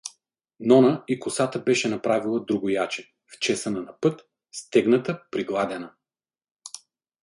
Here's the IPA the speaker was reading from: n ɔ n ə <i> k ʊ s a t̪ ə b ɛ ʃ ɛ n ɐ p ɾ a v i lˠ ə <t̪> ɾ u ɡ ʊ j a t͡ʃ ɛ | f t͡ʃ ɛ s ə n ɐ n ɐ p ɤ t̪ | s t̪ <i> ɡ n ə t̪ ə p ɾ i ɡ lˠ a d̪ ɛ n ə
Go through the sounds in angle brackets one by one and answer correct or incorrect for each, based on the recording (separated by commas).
correct, incorrect, incorrect